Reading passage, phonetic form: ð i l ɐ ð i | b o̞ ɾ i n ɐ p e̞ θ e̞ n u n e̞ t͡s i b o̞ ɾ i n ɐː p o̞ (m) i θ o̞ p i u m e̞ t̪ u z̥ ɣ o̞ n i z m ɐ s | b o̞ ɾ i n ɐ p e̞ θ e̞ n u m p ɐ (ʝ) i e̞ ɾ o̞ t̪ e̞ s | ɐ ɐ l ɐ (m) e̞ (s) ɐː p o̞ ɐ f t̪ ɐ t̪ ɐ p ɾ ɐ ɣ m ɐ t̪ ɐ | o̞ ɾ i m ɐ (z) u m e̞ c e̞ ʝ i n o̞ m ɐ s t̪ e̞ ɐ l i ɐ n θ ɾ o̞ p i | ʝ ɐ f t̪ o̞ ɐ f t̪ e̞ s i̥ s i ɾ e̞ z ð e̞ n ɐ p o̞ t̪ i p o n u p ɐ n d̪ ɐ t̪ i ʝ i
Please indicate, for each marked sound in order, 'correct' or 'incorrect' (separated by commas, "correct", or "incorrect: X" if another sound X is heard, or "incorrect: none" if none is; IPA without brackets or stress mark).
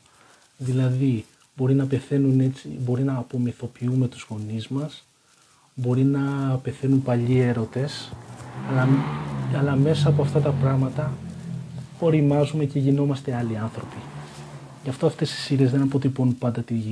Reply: correct, incorrect: ʎ, correct, correct, correct